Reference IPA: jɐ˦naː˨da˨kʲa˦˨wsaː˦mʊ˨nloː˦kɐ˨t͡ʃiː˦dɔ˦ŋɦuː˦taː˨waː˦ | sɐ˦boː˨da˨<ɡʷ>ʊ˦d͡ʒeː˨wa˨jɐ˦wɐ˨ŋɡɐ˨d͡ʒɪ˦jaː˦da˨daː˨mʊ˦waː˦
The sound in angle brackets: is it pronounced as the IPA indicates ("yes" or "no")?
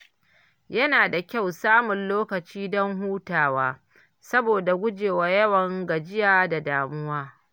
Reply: yes